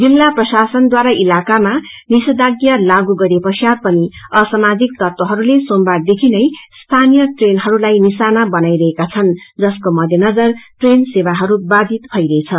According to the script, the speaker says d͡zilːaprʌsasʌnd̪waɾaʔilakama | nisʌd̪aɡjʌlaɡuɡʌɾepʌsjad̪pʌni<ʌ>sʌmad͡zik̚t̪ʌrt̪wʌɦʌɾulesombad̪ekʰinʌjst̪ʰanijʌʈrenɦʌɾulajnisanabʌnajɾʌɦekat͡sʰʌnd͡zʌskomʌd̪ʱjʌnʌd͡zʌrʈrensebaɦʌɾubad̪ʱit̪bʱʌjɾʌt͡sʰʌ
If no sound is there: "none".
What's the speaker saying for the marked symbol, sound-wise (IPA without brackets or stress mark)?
ʌ